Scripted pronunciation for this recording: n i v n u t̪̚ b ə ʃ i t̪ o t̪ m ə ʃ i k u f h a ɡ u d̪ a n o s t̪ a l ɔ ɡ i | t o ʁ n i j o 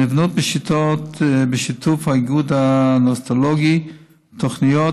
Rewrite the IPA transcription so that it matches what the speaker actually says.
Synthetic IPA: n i v n u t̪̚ b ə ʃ i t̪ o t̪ b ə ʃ i t u f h a ɡ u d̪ a n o s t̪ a l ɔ ɡ i | t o χ n i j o